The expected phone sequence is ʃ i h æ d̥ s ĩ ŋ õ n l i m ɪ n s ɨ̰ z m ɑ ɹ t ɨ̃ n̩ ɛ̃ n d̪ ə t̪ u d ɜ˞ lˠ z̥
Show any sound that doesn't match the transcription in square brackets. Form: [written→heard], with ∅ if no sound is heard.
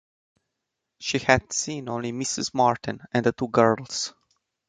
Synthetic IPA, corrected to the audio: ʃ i h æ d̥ s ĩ [ŋ→n] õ n l i m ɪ [n→∅] s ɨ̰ z m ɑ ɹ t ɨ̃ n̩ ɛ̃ n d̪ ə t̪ u [d→ɡ] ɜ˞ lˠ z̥